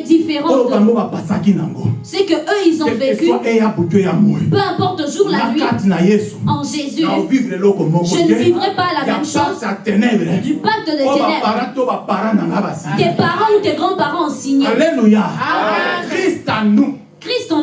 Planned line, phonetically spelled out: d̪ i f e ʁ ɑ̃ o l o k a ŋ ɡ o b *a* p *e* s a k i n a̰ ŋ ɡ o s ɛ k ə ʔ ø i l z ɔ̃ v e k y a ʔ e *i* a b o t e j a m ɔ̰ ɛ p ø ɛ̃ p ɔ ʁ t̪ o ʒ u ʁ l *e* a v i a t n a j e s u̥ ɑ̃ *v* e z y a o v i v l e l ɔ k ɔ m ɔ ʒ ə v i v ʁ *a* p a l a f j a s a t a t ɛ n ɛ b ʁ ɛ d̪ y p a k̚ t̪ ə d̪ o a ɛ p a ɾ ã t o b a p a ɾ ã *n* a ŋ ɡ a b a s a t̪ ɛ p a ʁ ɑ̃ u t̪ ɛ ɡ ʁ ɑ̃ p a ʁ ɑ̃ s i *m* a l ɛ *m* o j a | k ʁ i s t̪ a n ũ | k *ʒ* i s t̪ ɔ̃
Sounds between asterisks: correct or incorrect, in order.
correct, incorrect: a, incorrect: j, incorrect: a, incorrect: ʒ, incorrect: ɛ, correct, incorrect: ɲ, incorrect: n, incorrect: ʁ

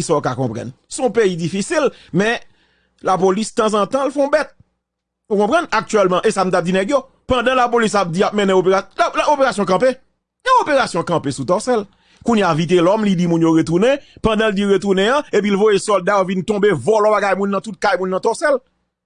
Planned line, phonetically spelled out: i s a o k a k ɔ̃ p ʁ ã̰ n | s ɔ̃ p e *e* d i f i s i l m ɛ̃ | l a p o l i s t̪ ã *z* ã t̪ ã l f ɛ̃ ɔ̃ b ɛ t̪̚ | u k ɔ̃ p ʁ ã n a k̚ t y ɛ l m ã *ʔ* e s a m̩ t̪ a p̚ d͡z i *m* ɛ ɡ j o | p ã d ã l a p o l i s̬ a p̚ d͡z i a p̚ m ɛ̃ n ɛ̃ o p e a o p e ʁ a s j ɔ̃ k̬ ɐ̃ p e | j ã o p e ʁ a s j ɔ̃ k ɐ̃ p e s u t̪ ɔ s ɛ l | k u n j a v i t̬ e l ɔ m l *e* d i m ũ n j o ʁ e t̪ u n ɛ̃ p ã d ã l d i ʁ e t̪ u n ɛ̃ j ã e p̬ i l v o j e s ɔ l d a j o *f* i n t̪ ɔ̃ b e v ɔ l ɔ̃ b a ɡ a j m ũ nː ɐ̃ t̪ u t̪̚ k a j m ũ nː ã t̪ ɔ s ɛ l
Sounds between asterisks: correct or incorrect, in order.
incorrect: i, correct, correct, incorrect: n, incorrect: i, incorrect: v

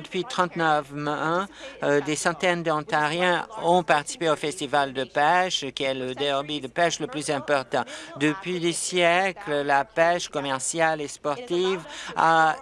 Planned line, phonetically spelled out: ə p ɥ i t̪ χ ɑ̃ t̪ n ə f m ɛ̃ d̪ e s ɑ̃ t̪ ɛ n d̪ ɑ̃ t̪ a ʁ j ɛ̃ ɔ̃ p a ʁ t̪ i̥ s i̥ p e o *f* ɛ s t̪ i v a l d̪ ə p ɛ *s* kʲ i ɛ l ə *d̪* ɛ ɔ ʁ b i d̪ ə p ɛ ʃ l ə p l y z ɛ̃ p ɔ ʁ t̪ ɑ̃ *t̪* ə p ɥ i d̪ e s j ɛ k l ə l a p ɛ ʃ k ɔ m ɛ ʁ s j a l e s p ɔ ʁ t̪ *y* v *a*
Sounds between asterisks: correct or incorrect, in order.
correct, incorrect: ʃ, correct, incorrect: d̪, incorrect: i, correct

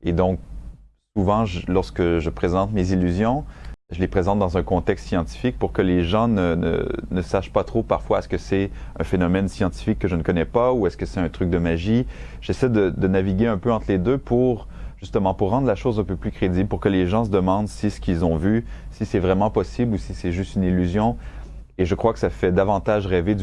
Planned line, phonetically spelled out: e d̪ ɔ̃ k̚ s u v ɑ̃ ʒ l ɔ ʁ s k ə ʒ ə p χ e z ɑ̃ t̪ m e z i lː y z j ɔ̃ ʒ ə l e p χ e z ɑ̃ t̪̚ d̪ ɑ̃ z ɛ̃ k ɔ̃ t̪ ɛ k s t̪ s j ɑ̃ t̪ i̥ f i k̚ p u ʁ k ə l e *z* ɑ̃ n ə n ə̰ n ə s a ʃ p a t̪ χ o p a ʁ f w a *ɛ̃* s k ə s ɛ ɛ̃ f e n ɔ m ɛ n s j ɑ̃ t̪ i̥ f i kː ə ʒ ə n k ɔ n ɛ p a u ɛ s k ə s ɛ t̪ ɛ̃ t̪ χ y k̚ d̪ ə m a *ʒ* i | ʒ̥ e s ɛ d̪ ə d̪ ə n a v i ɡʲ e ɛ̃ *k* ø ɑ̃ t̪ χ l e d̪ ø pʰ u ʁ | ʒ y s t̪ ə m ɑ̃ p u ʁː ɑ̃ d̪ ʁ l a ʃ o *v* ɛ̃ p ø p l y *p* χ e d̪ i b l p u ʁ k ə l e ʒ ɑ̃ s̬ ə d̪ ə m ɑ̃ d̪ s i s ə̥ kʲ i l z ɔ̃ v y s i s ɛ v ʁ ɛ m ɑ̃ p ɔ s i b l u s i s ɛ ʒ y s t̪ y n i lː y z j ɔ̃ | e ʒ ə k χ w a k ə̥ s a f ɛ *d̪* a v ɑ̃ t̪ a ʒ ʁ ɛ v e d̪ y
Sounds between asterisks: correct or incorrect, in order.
incorrect: ʒ, incorrect: ɛ, correct, incorrect: p, incorrect: z, incorrect: k, correct

